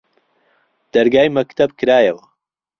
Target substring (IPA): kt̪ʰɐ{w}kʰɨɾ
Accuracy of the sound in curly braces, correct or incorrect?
incorrect: b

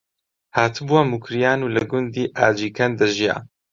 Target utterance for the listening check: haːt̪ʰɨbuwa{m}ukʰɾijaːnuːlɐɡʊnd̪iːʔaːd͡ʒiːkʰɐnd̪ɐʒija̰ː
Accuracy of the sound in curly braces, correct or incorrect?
correct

